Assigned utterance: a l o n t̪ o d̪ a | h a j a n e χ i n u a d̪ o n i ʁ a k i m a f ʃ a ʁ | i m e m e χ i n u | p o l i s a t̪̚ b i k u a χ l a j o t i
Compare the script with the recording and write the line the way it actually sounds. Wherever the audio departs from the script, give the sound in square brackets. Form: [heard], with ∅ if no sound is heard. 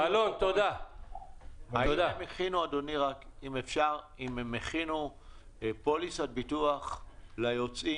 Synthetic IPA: a l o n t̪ o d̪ a | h a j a [m] e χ i n u a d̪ o n i ʁ a k i m [e] f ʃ a ʁ | i m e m e χ i n u | p o l i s a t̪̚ b i [t] u a χ l a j o [t͡s] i